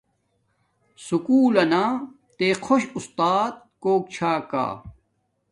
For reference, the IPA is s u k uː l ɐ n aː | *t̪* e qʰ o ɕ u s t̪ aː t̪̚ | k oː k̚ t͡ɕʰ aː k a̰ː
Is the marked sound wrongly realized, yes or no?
no